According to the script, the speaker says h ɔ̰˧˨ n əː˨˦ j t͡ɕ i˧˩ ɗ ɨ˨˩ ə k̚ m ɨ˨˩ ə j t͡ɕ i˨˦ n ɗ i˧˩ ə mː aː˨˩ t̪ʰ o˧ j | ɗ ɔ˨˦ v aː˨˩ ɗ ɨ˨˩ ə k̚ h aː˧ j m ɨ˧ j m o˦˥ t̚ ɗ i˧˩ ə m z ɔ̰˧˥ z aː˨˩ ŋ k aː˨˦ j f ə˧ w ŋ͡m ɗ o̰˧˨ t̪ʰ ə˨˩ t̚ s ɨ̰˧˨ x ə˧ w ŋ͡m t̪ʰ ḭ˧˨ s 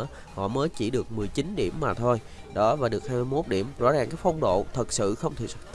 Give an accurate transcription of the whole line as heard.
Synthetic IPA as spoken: h ɔ̰˧˨ m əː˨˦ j t͡ɕ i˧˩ ɗ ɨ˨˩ ə k̚ m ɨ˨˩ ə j t͡ɕ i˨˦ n ɗ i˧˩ ə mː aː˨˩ t̪ʰ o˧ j | ɗ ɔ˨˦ v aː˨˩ ɗ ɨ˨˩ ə k̚ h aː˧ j m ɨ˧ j m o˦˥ t̚ ɗ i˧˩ ə m z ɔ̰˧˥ z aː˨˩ ŋ k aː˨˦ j f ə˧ w ŋ͡m ɗ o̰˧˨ t̪ʰ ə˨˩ t̚ s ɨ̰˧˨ x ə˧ w ŋ͡m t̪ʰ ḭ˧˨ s